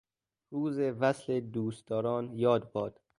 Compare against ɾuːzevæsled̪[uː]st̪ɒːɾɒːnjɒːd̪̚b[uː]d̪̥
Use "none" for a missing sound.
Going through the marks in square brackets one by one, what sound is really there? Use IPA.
uː, ɒː

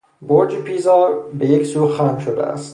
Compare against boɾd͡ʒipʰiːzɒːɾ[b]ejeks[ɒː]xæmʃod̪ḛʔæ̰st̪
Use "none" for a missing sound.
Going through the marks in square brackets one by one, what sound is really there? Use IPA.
b, uː

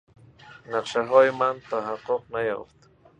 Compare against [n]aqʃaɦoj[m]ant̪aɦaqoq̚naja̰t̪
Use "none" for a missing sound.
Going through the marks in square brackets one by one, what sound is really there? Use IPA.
n, m

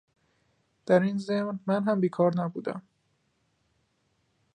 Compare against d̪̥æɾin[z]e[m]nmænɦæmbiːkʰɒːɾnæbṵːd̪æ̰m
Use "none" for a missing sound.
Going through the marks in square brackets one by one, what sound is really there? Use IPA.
z, m

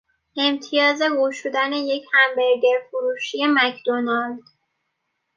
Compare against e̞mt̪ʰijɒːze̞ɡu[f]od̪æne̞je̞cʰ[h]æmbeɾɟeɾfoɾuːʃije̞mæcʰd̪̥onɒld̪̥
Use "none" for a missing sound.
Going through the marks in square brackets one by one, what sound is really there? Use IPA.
ʃ, h

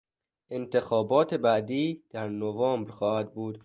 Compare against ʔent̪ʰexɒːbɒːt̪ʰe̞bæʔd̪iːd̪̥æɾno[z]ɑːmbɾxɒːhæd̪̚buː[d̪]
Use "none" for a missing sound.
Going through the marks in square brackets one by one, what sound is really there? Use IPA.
v, d̪

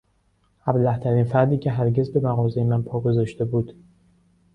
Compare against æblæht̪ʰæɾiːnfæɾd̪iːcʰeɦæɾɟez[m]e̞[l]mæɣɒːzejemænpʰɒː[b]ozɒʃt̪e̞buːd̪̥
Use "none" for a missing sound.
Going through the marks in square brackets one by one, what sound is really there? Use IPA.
b, none, ɡ

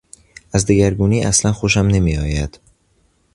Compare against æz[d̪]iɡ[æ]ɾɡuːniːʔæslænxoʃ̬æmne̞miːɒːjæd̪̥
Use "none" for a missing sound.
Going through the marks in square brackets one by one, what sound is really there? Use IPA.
d̪, æ

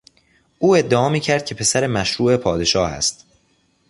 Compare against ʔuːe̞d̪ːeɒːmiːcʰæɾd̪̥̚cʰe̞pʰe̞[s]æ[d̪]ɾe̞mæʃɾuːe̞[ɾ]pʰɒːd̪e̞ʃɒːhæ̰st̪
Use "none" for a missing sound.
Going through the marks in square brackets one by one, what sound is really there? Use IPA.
s, none, none

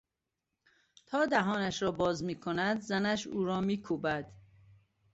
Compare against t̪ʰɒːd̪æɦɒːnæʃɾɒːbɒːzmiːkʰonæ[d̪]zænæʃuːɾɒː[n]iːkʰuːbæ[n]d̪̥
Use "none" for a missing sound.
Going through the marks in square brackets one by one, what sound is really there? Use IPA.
d̪, m, none

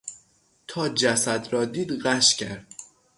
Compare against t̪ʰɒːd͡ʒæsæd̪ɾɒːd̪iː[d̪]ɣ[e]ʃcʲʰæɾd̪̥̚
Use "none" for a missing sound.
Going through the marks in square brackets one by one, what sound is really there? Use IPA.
d̪, æ

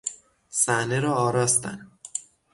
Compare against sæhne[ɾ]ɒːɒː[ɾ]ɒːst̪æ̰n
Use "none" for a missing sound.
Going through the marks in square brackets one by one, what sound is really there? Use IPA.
ɾ, ɾ

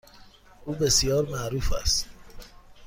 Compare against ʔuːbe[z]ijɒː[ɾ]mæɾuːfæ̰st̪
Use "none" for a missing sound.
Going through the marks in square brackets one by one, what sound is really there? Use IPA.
s, ɾ

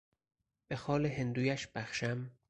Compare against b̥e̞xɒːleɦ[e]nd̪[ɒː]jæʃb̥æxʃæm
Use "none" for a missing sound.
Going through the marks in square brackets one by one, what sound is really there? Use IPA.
e, uː

